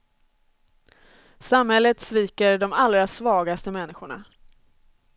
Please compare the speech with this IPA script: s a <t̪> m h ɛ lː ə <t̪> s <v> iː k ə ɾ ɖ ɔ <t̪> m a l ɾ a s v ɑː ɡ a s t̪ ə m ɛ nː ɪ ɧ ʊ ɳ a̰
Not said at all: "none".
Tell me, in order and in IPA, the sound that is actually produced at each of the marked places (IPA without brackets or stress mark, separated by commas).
none, t̪, v, none